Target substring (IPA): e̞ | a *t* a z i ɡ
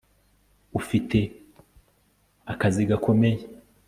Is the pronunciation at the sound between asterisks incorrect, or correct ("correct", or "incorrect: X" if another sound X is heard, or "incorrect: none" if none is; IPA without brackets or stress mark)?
incorrect: k